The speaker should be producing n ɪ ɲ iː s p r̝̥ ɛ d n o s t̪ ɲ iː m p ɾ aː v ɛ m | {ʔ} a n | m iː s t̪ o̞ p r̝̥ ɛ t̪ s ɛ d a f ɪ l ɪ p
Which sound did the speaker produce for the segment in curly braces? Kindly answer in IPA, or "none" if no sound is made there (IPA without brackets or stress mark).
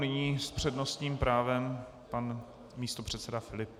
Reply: p